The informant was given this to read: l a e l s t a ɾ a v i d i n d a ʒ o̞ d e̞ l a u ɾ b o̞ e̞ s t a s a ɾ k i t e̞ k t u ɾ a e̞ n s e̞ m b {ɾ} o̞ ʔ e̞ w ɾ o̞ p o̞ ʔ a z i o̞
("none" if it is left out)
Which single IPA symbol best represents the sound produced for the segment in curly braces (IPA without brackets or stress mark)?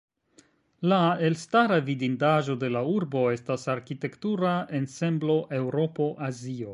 l